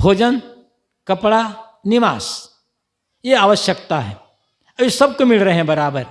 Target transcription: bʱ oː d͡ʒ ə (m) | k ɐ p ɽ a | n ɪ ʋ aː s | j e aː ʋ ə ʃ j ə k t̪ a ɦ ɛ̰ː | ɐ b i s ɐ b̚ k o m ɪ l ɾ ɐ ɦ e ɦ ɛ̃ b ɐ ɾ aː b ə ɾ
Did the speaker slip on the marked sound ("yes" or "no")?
yes